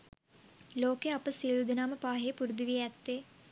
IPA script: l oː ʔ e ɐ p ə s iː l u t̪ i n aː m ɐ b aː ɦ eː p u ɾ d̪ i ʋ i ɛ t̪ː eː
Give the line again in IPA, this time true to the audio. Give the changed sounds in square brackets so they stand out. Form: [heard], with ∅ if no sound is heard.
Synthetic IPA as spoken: l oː [k] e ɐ p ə s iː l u [d̪] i n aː m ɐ [p] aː ɦ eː p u ɾ d̪ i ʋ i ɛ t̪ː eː